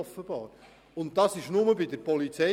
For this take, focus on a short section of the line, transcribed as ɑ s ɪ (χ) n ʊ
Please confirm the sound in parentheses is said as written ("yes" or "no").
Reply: no